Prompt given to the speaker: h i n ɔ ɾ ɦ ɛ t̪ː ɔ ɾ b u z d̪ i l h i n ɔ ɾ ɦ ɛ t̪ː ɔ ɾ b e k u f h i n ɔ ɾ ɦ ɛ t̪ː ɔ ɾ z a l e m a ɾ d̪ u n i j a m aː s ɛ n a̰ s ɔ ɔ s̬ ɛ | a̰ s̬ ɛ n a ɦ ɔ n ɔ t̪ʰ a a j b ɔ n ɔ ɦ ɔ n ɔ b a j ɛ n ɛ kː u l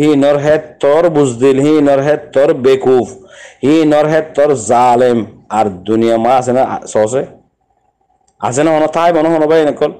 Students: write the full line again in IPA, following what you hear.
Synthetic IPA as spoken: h i n ɔ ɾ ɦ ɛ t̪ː ɔ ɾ b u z d̪ i l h i n ɔ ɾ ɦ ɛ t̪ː ɔ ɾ b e k u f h i n ɔ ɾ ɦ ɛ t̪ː ɔ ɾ z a l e m a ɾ d̪ u n i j a m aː s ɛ n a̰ s ɔ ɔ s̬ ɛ | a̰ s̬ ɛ n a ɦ ɔ n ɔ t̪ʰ a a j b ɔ n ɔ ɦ ɔ n ɔ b a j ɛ n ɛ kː ɔ l